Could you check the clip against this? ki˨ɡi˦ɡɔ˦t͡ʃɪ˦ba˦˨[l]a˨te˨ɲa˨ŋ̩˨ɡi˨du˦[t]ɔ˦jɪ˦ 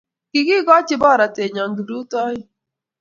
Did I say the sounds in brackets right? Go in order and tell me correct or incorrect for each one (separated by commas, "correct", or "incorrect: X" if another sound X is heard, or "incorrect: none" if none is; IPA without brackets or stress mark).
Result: incorrect: ɾ, correct